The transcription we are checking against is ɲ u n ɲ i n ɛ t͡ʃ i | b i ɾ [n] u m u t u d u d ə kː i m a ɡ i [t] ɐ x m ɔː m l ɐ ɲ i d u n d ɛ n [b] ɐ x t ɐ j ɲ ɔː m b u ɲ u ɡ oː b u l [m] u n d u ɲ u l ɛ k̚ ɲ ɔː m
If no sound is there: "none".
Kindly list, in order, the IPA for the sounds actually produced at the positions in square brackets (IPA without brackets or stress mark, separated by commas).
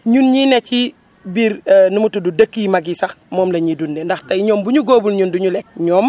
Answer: n, s, d, ɲ